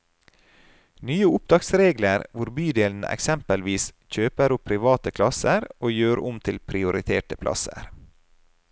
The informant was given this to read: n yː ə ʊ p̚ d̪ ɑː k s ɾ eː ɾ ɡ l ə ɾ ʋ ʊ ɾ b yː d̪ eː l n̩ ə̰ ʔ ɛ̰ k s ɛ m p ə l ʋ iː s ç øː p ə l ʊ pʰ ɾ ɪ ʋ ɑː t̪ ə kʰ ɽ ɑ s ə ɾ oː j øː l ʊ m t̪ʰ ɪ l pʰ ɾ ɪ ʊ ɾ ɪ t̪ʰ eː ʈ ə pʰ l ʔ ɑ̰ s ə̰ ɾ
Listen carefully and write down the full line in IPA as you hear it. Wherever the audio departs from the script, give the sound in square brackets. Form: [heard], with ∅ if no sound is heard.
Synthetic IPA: n yː ə ʊ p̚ d̪ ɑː k s ɾ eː [∅] ɡ l ə ɾ ʋ ʊ ɾ b yː d̪ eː l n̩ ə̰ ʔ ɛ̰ k s ɛ m p ə l ʋ iː s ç øː p ə [ɾ] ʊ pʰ ɾ ɪ ʋ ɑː t̪ ə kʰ [l] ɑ s ə ɾ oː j øː [ɾ] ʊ m t̪ʰ ɪ l pʰ ɾ ɪ ʊ ɾ ɪ t̪ʰ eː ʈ ə pʰ l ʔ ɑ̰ s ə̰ ɾ